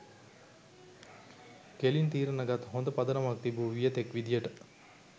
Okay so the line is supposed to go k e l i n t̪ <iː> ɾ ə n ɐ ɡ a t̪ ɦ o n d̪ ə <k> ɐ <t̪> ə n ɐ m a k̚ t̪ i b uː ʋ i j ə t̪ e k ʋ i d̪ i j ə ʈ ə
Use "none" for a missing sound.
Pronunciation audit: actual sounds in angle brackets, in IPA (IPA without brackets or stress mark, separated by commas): iː, p, d̪